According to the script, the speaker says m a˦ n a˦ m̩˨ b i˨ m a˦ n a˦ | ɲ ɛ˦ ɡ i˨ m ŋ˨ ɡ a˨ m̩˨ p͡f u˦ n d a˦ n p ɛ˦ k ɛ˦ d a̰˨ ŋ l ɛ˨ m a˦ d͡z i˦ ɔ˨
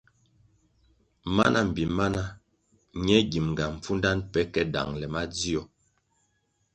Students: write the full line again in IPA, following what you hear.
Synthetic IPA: m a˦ n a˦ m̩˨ b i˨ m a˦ n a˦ | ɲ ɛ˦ ɡ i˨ m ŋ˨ ɡ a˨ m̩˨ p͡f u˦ n d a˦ n p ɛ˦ k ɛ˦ d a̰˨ ŋ l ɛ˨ m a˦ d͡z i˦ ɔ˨